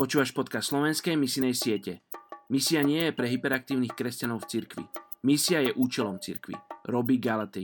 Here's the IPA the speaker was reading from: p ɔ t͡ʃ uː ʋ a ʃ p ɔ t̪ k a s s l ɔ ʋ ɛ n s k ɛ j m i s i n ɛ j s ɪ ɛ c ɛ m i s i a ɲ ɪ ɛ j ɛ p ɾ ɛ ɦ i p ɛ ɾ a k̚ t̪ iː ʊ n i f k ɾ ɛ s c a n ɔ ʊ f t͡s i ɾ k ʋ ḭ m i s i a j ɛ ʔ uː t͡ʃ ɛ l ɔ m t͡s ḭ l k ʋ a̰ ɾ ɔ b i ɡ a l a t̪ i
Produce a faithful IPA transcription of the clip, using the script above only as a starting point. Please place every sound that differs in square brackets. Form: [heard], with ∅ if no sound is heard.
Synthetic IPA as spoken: p ɔ t͡ʃ uː ʋ a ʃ p ɔ t̪ k a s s l ɔ ʋ ɛ n s k ɛ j m i s i n ɛ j s ɪ ɛ c ɛ m i s i a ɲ ɪ ɛ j ɛ p ɾ ɛ ɦ i p ɛ ɾ a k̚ t̪ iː ʊ n i [x] k ɾ ɛ s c a n ɔ ʊ f t͡s i ɾ k ʋ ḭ m i s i a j ɛ ʔ uː t͡ʃ ɛ l ɔ m t͡s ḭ [ɾ] k ʋ [ḭ] ɾ ɔ b i ɡ a l a t̪ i